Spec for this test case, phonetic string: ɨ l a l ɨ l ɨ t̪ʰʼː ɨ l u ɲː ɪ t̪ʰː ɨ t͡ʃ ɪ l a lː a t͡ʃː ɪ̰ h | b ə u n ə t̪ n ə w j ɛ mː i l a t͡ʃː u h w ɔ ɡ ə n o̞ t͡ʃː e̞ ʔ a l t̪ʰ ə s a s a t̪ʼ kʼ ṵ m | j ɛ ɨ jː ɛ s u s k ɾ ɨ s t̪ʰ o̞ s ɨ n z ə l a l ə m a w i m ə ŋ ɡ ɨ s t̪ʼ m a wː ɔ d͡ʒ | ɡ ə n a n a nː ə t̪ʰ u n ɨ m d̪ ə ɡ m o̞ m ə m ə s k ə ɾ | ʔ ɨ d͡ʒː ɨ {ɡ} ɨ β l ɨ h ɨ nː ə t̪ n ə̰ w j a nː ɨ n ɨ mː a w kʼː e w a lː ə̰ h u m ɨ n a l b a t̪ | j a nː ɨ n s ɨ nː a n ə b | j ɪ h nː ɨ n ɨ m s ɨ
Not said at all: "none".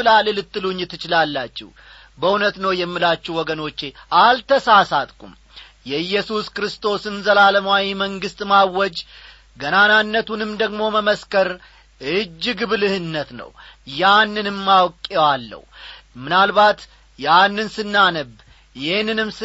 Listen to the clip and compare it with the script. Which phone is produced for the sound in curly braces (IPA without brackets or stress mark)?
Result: ɡ